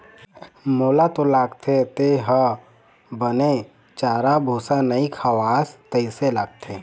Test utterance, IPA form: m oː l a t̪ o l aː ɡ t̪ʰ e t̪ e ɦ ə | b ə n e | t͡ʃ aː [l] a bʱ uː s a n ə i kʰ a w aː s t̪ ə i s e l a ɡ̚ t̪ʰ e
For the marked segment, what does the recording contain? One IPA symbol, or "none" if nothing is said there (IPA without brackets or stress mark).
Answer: ɾ